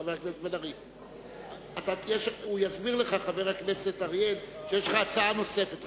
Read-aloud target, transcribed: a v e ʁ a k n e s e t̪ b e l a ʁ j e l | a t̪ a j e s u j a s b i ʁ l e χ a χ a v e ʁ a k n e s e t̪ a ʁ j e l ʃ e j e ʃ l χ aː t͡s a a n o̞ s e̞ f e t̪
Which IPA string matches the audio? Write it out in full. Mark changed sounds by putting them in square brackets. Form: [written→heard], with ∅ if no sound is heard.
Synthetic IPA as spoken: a v e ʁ a k n e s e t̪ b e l a ʁ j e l | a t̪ a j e [s→ʃ] u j a [s→z] b i ʁ l e χ a χ a v e ʁ a k n e s e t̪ a ʁ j e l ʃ e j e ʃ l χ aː t͡s a a n o̞ s e̞ f e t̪